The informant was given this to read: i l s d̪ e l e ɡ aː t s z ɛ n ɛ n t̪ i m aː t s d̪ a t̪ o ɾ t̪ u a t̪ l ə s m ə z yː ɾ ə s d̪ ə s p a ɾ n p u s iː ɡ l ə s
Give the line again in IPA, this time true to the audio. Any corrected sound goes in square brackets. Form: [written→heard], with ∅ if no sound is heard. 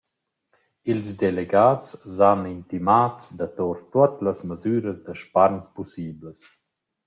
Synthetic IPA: i l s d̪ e l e ɡ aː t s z [ɛ→a] n [ɛ→i] n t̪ i m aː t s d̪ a t̪ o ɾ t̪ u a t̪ l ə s m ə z yː ɾ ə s d̪ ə [s→ʃ] p a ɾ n p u s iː [ɡ→b] l ə s